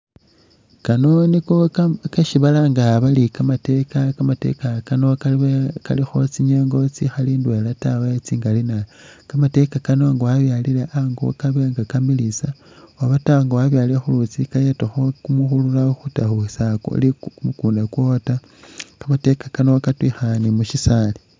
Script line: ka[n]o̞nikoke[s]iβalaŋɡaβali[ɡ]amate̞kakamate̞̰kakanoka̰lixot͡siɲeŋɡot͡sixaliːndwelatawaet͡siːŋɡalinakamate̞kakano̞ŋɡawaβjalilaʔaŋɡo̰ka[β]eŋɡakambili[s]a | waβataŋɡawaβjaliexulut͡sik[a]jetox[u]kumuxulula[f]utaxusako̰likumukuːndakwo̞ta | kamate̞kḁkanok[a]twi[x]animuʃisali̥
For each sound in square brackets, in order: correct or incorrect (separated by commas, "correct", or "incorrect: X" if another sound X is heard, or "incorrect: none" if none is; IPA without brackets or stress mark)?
correct, incorrect: ʃ, incorrect: k, correct, correct, correct, incorrect: o, incorrect: x, correct, correct